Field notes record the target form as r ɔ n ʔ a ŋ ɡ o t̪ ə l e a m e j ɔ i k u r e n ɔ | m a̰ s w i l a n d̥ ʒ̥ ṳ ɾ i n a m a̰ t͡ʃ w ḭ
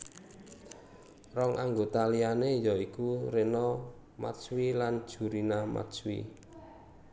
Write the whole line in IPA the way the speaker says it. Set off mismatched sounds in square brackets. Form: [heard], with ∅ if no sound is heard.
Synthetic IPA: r ɔ [ŋ] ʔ a ŋ ɡ o t̪ [a] l [i] a [n] e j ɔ i k u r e n ɔ | m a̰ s w i l a n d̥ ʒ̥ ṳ ɾ i n a m a̰ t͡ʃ w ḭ

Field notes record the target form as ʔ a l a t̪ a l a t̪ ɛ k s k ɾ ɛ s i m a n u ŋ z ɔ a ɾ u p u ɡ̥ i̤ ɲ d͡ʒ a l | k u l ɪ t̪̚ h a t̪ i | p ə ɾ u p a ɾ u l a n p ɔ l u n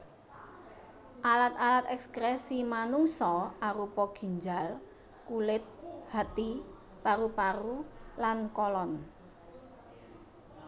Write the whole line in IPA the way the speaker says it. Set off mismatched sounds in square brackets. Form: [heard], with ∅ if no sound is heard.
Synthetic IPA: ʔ a l a t̪ a l a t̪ ɛ k s k ɾ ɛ s i m a n u ŋ [s] ɔ a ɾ u p [ɔ] ɡ̥ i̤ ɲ d͡ʒ a l | k u l ɪ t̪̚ h a t̪ i | p [a] ɾ u p a ɾ u l a n [k] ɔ l [ɔ] n

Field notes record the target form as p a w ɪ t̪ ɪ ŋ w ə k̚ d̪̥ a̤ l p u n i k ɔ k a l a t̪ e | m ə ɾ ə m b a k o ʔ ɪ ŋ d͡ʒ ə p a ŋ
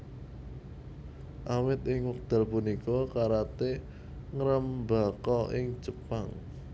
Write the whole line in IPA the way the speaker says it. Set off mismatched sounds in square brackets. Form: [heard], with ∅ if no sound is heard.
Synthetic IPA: [ʔ] a w ɪ t̪ ɪ ŋ w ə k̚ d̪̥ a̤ l p u n i k ɔ k a [ɾ] a t̪ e | [ŋ] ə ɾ ə m b a k [ɔ] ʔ ɪ ŋ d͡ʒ ə p a ŋ

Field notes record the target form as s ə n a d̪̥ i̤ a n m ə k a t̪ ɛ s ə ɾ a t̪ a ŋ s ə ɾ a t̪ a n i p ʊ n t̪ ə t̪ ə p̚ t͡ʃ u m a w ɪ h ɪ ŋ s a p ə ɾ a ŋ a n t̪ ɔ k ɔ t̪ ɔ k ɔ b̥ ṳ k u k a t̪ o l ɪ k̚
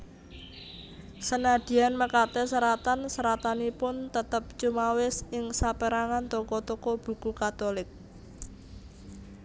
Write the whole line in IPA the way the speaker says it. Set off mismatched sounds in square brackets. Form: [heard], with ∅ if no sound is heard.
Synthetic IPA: s ə n a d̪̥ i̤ a n m ə k a t̪ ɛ s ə ɾ a t̪ a [n] s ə ɾ a t̪ a n i p ʊ n t̪ ə t̪ ə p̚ t͡ʃ u m a w ɪ [s] ɪ ŋ s a p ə ɾ a ŋ a n t̪ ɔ k ɔ t̪ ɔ k ɔ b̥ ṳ k u k a t̪ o l ɪ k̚

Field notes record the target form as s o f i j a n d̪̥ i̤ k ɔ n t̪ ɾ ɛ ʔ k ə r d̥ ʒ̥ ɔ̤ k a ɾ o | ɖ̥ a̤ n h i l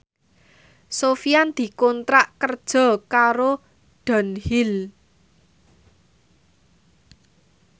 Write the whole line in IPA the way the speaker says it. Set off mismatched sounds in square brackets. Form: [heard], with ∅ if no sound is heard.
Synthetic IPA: s o f i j a n d̪̥ i̤ k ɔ n t̪ ɾ [a] ʔ k ə r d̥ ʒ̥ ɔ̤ k a ɾ o | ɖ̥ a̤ n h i l

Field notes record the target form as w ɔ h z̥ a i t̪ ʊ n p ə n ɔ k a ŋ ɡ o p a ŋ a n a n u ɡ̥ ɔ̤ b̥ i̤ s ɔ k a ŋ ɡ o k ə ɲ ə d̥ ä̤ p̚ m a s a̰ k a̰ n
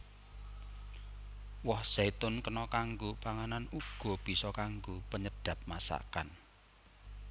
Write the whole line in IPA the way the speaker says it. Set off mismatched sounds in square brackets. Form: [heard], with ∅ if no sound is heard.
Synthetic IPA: w ɔ h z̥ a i t̪ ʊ n [k] ə n ɔ k a ŋ ɡ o p a ŋ a n a n u ɡ̥ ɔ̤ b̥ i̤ s ɔ k a ŋ ɡ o [p] ə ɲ ə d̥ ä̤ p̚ m a s a̰ k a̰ n

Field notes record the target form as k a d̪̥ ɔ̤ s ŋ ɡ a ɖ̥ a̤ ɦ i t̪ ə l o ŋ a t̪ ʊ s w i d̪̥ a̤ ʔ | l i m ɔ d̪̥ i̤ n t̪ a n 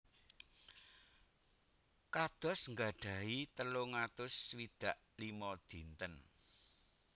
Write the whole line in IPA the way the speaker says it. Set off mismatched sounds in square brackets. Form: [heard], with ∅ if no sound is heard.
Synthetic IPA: k a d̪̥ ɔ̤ s ŋ ɡ a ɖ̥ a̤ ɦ i t̪ ə l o ŋ a t̪ ʊ s w i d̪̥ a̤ ʔ | l i m ɔ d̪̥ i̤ n t̪ [ə] n

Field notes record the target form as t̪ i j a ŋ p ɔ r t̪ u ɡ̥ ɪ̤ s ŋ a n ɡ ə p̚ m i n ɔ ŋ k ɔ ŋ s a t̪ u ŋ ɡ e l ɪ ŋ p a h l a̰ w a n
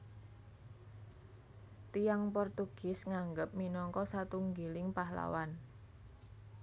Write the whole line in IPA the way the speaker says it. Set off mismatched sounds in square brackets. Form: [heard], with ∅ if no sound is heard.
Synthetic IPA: t̪ i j a ŋ p ɔ r t̪ u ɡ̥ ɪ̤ s ŋ a [ŋ] ɡ ə p̚ m i n ɔ ŋ k ɔ [∅] s a t̪ u ŋ ɡ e l ɪ ŋ p a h l a̰ w a n

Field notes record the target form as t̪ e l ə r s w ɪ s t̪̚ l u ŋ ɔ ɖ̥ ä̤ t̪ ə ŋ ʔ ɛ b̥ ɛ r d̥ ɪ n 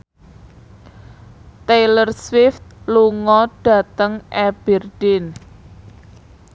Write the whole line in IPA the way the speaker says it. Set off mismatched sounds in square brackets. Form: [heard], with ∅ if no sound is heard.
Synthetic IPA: t̪ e l ə r s w ɪ [f] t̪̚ l u ŋ ɔ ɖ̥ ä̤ t̪ ə ŋ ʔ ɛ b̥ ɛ r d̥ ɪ n

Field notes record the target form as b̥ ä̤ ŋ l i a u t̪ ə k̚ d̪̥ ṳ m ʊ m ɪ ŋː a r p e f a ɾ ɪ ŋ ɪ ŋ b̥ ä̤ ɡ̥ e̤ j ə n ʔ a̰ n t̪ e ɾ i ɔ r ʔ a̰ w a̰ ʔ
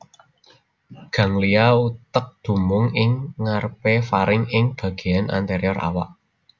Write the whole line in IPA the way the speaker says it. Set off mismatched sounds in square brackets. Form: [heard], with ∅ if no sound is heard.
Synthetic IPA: [ɡ̥] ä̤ ŋ l i a u t̪ ə k̚ d̪̥ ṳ m ʊ [ŋ] ɪ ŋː a r p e f a ɾ ɪ ŋ ɪ ŋ b̥ ä̤ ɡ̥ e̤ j [a] n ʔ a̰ n t̪ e ɾ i ɔ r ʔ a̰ w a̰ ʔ

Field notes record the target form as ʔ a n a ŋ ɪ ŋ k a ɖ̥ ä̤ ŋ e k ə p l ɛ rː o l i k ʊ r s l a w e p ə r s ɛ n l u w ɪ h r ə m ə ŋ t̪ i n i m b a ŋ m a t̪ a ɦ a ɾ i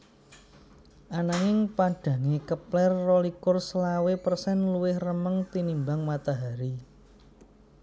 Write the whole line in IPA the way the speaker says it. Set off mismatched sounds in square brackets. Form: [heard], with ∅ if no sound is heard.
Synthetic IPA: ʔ a n a ŋ ɪ ŋ [p] a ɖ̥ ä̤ ŋ e k ə p l ɛ rː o l i k ʊ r s l a w e p ə r s ɛ n l u w ɪ h r ə m ə ŋ t̪ i n i m b a ŋ m a t̪ a ɦ a ɾ i

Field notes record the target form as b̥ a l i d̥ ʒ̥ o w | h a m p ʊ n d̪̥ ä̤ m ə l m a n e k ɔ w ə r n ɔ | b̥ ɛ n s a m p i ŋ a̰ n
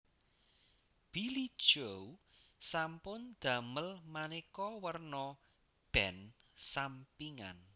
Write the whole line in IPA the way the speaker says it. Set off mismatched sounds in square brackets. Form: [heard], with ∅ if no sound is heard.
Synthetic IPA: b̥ [i] l i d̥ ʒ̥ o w | [s] a m p ʊ n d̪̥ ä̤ m ə l m a n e k ɔ w ə r n ɔ | b̥ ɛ n s a m p i ŋ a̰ n

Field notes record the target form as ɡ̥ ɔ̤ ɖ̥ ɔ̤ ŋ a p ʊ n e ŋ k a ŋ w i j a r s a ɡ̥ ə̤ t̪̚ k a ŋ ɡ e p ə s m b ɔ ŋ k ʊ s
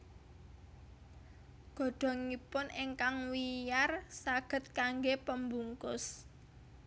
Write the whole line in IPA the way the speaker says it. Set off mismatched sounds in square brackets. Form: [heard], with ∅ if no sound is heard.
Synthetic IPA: ɡ̥ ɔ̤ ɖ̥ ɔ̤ ŋ [i] p ʊ n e ŋ k a ŋ w i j a r s a ɡ̥ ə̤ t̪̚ k a ŋ ɡ e p ə [∅] m b [u] ŋ k ʊ s

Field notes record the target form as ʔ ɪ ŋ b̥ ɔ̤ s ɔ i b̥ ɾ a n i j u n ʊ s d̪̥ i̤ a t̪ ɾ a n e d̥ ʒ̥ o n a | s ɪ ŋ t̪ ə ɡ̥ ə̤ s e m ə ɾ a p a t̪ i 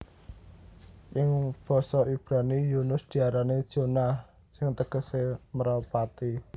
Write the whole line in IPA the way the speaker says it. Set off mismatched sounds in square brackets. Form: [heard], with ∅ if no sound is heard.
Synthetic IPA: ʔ ɪ ŋ b̥ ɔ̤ s ɔ i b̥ ɾ a n i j u n ʊ s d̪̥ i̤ a [∅] ɾ a n e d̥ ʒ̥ o n a | s ɪ ŋ t̪ ə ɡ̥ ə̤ s e m ə ɾ a p a t̪ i

